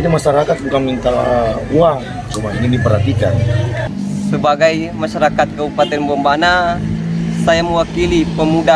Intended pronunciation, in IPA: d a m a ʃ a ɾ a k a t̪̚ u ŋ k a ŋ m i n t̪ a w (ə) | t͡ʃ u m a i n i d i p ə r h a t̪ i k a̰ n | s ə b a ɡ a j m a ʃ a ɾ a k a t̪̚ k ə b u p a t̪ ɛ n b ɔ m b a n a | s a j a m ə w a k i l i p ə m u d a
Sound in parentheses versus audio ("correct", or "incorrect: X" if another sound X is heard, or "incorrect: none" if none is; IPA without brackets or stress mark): incorrect: a